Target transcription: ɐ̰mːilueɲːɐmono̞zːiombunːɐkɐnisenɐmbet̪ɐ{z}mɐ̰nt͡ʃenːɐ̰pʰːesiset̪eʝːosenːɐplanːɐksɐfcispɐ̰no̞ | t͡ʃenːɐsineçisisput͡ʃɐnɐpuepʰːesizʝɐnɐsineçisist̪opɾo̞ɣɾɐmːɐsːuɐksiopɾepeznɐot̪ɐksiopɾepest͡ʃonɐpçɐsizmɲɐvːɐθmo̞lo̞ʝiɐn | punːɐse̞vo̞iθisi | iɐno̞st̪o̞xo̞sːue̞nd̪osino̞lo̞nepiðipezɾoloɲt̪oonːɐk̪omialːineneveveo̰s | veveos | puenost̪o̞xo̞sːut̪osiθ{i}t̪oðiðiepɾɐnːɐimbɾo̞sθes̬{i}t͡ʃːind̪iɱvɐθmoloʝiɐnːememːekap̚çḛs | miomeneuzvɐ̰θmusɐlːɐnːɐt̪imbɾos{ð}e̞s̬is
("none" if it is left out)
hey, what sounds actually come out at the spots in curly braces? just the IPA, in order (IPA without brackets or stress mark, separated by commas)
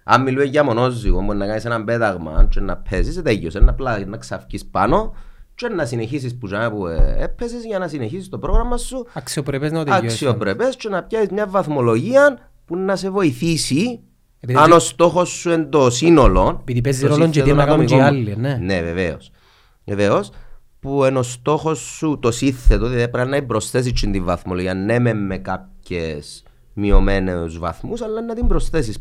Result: ɣ, e, i, θ